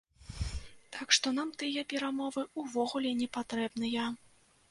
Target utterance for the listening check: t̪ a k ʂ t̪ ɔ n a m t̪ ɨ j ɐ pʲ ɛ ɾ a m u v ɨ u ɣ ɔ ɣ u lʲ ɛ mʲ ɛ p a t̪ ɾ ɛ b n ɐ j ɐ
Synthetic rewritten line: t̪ a k ʂ t̪ ɔ n a m t̪ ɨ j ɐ pʲ ɛ ɾ a m ɔ v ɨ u v ɔ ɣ u lʲ ɛ nʲ ɛ p a t̪ ɾ ɛ b n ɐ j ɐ